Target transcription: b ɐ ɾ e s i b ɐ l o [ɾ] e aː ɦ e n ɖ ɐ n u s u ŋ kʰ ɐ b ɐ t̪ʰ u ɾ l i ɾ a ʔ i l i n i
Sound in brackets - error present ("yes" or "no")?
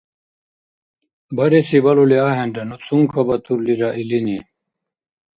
yes